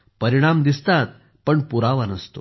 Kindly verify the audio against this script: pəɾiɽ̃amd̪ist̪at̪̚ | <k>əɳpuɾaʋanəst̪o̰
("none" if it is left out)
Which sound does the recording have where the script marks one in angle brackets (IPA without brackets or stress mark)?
p